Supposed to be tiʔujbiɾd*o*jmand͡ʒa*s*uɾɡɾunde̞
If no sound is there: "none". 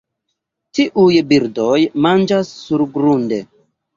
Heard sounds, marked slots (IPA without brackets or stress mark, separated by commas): o, sː